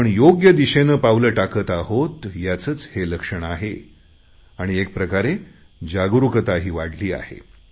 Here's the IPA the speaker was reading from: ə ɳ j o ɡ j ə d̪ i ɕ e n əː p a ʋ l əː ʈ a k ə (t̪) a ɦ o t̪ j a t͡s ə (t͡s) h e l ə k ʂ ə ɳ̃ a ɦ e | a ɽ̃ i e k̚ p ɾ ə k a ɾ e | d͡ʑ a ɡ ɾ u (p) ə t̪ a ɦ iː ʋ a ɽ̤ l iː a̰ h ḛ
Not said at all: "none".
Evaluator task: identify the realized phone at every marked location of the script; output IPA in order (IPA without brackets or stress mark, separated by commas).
t̪, t͡s, k